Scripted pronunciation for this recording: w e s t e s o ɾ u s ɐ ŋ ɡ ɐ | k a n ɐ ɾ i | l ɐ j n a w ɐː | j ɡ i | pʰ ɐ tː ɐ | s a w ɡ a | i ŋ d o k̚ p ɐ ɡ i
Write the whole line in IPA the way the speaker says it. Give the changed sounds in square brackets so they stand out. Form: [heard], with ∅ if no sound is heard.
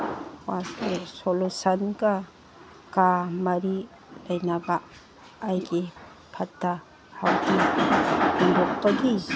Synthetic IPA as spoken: w [a] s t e s o [l] u s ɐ [n] ɡ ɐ | k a [m] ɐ ɾ i | l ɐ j n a [b] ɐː | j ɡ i | pʰ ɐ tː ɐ | [h] a w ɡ [i] | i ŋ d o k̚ p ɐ ɡ i